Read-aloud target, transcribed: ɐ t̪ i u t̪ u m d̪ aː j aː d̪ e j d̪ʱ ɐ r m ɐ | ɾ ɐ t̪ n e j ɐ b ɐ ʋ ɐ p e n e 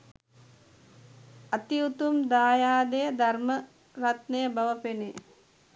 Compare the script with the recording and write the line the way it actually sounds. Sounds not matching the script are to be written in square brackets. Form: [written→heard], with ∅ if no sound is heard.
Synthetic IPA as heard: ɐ t̪ i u t̪ u m d̪ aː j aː d̪ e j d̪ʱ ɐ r m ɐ | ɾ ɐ t̪ n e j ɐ b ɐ ʋ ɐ p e n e